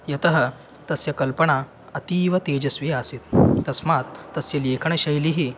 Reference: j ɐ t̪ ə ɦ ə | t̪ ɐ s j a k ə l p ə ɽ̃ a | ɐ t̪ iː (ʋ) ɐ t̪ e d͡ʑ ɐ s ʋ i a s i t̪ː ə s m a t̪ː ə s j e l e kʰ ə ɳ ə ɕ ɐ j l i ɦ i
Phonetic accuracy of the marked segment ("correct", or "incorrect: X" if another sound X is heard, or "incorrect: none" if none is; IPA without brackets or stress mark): correct